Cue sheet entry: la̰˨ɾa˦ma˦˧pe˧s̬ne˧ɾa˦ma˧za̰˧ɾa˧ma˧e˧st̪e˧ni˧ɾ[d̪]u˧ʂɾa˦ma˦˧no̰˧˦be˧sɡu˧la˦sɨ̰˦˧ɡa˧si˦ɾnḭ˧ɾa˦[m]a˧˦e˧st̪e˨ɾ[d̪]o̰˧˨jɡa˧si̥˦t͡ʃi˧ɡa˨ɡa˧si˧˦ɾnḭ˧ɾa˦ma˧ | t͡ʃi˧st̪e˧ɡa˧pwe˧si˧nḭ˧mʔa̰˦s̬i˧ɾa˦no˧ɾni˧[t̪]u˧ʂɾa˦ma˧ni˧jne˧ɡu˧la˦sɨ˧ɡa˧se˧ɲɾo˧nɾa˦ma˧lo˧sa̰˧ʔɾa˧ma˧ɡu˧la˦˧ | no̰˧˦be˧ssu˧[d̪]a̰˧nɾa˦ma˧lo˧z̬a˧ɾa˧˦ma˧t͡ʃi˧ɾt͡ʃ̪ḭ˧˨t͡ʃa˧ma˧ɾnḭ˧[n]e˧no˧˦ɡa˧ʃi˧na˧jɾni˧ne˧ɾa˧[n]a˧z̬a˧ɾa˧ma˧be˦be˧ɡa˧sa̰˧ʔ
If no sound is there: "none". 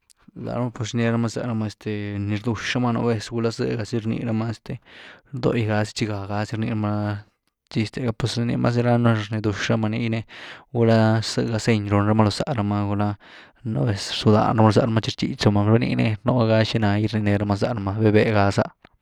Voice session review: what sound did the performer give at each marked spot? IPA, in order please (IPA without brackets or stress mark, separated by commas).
d̪, m, d̪, d̪, d̪, n, m